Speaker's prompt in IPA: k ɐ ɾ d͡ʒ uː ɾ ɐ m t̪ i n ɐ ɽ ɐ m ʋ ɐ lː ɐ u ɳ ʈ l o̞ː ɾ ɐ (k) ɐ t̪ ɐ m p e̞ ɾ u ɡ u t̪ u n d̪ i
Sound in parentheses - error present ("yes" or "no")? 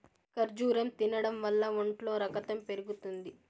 no